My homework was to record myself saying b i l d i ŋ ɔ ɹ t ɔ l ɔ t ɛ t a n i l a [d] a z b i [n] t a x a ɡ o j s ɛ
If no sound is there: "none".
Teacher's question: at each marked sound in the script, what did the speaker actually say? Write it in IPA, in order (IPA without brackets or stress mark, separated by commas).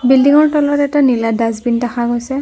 d, n